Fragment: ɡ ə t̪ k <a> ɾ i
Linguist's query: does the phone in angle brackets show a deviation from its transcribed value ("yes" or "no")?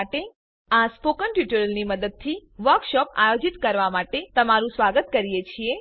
yes